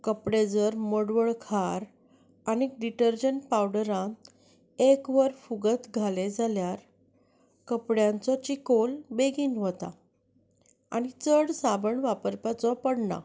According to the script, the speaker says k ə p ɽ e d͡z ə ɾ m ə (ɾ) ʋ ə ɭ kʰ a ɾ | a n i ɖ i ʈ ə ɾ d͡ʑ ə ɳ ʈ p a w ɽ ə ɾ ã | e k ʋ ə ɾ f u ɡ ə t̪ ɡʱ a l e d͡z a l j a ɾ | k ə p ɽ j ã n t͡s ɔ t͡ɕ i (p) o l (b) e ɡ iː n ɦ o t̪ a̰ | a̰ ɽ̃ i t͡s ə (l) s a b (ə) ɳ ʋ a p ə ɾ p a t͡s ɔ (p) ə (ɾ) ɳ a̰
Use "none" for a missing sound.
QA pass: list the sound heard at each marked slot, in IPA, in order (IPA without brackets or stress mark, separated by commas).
ɽ, k, b, ɽ, ə, p, ɽ